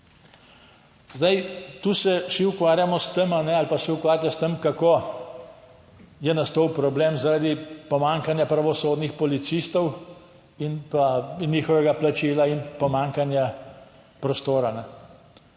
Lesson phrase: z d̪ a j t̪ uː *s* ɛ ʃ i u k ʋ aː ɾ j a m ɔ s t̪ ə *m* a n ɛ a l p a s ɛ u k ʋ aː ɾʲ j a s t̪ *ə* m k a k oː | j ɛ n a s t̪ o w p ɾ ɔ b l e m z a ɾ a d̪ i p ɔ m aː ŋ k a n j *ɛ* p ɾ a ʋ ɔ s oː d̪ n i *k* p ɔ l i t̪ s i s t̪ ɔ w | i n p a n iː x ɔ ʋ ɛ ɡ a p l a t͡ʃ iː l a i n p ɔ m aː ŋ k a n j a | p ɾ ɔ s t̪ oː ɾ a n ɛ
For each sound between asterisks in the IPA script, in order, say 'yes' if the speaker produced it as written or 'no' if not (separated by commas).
yes, yes, yes, no, no